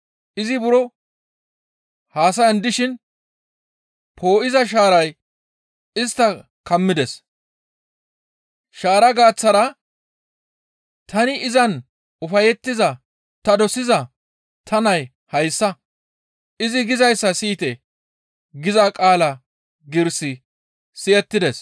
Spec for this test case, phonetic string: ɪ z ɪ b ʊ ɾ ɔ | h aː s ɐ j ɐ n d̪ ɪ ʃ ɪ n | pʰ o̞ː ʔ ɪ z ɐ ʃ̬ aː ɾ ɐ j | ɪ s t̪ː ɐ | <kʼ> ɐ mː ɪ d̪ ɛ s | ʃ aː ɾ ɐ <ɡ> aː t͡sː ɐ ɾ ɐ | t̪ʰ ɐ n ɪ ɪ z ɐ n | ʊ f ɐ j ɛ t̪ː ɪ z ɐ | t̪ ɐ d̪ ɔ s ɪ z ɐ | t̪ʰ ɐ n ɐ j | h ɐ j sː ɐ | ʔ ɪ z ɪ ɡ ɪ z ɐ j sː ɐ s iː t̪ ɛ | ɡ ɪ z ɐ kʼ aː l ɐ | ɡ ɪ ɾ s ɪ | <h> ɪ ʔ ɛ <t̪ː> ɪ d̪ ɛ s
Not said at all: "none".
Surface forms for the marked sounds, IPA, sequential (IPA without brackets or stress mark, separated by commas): k, ɡ, s, t̪ː